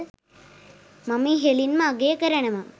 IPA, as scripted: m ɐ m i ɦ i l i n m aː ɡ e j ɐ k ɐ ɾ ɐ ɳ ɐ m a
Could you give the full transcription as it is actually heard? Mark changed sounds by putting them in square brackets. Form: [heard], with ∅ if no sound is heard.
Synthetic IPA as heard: m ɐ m i ɦ [e] l i n m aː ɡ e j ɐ k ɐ ɾ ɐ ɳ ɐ m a